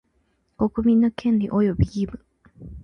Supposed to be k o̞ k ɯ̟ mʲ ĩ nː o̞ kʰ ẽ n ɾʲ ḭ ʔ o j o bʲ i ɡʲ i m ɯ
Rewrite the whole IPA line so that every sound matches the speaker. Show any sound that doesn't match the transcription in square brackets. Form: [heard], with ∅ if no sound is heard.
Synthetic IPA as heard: k o̞ k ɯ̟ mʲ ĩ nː o̞ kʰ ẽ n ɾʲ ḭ ʔ o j o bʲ i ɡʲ i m ɯ